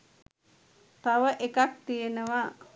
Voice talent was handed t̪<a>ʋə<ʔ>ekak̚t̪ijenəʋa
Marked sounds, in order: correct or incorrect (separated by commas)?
correct, correct